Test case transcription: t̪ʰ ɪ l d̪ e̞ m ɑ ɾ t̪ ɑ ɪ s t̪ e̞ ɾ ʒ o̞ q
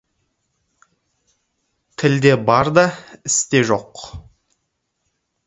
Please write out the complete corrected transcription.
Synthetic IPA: t̪ʰ ɪ l d̪ e̞ b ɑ ɾ d̪ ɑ ɪ s t̪ e̞ ʒ o̞ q

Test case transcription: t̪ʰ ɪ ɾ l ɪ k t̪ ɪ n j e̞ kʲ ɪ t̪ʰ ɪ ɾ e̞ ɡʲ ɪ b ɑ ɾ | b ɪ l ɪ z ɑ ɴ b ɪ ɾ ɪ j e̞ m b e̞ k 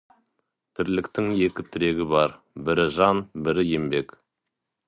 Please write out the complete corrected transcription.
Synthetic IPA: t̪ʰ ɪ ɾ l ɪ k t̪ ɪ ŋ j e̞ kʲ ɪ t̪ʰ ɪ ɾ e̞ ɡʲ ɪ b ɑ ɾ | b ɪ ɾ ɪ ʒ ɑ n b ɪ ɾ ɪ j e̞ m b e̞ k

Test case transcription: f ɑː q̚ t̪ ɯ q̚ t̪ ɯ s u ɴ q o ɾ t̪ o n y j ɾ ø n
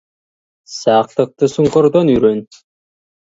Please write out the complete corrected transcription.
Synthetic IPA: s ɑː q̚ t̪ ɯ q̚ t̪ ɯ s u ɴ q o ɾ d̪ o n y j ɾ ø n

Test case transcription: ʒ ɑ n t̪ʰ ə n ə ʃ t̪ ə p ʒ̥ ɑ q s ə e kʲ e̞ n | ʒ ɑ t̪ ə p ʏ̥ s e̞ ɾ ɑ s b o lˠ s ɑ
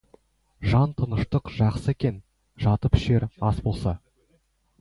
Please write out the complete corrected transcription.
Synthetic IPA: ʒ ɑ n t̪ʰ ə n ə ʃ t̪ ə q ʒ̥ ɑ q s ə e kʲ e̞ n | ʒ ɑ t̪ ə p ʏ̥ ʃ e̞ ɾ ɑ s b o lˠ s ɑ

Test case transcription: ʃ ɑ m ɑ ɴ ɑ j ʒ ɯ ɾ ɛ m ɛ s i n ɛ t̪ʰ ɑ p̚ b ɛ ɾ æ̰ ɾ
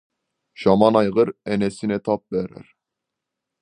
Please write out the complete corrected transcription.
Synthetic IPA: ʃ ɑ m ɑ n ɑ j ʁ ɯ ɾ ɛ n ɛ s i n ɛ t̪ʰ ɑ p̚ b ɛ ɾ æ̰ ɾ

